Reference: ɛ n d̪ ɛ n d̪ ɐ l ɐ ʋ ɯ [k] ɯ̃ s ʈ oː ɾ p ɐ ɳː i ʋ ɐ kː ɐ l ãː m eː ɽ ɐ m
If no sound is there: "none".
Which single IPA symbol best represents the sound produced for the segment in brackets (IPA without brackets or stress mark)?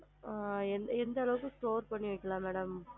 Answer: k